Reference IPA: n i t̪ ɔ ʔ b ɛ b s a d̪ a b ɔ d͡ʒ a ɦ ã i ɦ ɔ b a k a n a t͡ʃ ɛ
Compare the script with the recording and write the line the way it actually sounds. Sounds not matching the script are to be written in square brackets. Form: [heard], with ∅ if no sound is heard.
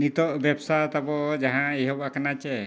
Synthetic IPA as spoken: n i t̪ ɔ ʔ b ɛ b s a [t̪] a b ɔ d͡ʒ a ɦ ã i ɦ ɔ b a k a n a t͡ʃ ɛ